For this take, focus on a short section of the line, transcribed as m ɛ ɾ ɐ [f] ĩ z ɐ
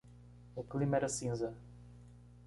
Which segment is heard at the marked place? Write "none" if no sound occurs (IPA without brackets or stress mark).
s